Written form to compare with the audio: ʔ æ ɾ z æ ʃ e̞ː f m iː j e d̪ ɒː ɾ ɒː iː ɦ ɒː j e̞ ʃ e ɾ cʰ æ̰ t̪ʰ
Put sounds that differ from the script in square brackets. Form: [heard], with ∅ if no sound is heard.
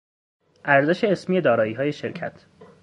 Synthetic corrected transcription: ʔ æ ɾ z [e] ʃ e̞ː [s] m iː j e d̪ ɒː ɾ ɒː iː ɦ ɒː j e̞ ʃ e ɾ cʰ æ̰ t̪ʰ